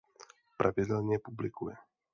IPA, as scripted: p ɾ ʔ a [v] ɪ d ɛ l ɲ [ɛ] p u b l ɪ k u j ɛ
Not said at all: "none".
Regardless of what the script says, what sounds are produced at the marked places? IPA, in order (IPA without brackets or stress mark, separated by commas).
v, ɛ